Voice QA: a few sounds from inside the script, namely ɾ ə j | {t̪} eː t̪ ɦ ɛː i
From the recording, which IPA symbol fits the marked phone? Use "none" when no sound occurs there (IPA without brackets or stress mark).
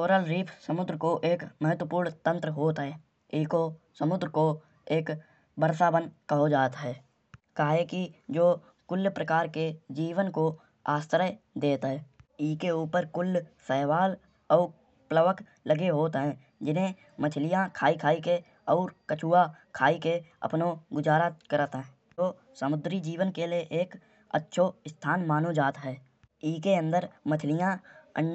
d̪